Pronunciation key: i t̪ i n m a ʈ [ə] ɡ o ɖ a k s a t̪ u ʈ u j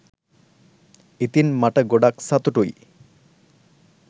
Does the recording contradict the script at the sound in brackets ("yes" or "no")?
no